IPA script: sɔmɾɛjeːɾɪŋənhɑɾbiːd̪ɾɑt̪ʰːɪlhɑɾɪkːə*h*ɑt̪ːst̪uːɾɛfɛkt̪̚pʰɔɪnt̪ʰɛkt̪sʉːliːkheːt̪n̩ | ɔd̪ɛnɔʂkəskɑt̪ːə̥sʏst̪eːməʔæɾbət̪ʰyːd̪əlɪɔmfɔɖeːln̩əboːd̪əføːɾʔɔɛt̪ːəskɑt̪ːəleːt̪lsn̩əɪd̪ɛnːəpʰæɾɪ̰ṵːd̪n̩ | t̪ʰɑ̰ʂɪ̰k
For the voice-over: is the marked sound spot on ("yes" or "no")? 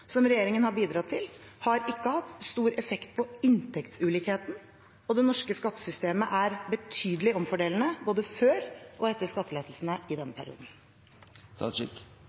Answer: yes